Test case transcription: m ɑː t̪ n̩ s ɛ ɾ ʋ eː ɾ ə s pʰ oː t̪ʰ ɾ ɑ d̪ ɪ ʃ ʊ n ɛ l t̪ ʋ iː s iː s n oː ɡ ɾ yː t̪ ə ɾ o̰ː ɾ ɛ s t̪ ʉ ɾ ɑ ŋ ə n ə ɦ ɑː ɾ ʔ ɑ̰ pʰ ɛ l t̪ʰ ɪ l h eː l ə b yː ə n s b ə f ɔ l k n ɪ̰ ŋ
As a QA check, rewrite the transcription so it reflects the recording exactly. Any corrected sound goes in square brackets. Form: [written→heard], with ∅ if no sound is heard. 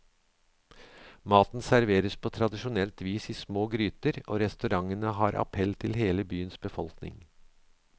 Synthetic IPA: m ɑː t̪ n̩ s [ɛ→æ] ɾ ʋ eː ɾ ə s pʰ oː t̪ʰ ɾ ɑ d̪ ɪ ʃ ʊ n ɛ l t̪ ʋ iː s iː s [n→m] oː ɡ ɾ yː t̪ ə ɾ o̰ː ɾ ɛ s t̪ ʉ ɾ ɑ ŋ ə n ə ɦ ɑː ɾ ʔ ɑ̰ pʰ ɛ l t̪ʰ ɪ l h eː l ə b yː ə n s b ə f ɔ l k n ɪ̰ ŋ